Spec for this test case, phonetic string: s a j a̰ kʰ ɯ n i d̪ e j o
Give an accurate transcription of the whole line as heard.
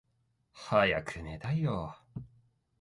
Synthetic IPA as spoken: h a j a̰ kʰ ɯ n e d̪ a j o